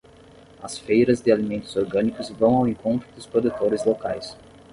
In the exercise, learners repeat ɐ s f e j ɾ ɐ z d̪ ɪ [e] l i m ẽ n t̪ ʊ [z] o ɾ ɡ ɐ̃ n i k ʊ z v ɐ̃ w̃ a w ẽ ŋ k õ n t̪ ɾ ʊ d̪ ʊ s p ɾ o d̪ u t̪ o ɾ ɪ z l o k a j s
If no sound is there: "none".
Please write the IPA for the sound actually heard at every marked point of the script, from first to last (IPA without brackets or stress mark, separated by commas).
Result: a, z